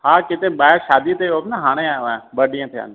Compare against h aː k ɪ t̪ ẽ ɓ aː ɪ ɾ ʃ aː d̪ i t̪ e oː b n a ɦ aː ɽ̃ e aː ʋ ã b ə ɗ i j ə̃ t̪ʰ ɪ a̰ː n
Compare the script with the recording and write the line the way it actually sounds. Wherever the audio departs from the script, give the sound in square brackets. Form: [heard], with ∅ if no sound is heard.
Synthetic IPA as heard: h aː k ɪ t̪ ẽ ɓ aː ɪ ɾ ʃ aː d̪ i t̪ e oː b n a ɦ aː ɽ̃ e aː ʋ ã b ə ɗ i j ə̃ t̪ʰ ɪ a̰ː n